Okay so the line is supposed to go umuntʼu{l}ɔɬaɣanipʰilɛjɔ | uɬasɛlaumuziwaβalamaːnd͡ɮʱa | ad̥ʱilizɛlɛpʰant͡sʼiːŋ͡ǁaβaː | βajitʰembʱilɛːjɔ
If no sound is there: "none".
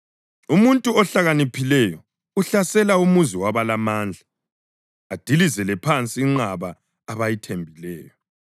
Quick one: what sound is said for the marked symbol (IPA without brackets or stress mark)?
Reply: none